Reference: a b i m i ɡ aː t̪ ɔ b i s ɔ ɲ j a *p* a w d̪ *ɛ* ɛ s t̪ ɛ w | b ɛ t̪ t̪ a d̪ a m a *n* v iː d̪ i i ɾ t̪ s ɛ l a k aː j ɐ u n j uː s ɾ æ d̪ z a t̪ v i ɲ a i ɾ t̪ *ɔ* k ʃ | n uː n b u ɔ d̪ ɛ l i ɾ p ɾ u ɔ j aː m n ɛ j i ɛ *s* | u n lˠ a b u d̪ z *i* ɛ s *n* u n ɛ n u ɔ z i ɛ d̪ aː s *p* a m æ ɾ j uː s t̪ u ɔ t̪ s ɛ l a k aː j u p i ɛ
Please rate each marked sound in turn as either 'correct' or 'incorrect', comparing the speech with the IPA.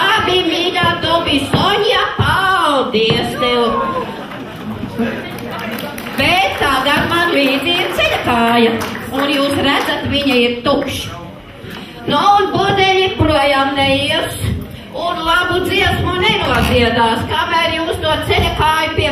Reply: correct, incorrect, correct, incorrect, correct, correct, incorrect, incorrect

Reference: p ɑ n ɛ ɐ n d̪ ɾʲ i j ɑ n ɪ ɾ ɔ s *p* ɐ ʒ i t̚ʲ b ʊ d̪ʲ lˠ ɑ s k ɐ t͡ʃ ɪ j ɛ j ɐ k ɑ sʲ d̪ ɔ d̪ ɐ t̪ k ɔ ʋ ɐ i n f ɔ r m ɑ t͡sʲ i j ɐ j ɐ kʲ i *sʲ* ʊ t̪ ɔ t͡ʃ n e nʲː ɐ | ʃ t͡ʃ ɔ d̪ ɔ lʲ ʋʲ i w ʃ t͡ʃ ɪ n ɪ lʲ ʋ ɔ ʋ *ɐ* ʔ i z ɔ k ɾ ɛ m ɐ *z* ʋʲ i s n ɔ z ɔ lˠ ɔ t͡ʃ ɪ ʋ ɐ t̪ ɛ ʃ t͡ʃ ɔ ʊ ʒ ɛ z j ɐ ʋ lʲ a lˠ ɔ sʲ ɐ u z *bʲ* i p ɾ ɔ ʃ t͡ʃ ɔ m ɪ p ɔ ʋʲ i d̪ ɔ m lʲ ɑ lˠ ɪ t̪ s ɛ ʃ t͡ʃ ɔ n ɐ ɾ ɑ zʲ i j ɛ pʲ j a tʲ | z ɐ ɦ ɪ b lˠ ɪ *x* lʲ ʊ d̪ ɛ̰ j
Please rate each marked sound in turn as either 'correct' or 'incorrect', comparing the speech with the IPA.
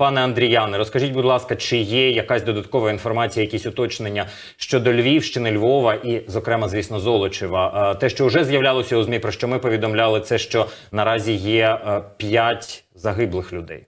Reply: incorrect, correct, correct, correct, incorrect, correct

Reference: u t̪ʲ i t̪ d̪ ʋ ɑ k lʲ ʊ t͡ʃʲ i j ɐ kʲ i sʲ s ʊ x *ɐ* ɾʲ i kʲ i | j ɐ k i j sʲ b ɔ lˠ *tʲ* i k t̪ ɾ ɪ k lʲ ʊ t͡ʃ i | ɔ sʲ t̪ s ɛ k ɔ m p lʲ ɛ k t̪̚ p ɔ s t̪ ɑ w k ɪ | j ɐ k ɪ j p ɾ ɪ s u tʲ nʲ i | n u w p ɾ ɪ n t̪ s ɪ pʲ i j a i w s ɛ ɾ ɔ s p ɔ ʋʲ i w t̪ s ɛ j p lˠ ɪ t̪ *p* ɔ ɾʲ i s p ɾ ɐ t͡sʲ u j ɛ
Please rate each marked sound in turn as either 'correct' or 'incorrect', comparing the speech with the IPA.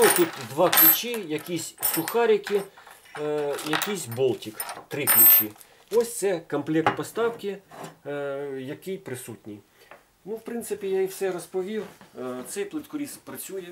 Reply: incorrect, correct, incorrect

